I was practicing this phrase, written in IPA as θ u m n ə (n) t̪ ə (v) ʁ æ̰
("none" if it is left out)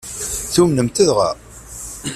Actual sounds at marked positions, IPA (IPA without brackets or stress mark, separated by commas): m, ð